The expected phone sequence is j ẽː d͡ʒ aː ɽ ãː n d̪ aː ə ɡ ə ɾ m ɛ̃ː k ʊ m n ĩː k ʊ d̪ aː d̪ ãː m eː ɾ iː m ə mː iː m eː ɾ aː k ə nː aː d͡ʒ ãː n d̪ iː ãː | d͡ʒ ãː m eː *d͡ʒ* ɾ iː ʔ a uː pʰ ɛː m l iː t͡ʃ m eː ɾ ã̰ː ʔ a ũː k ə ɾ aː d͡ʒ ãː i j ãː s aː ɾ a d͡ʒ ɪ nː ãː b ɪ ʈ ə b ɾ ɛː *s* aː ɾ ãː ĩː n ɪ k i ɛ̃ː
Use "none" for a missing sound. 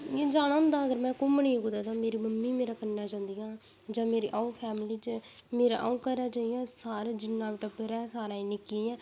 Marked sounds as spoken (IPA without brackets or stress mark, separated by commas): none, s